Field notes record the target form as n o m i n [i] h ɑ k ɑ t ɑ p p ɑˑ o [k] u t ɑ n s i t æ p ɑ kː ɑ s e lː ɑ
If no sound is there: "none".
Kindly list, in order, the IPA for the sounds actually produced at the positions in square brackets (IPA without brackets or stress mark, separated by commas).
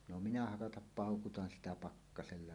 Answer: æ, k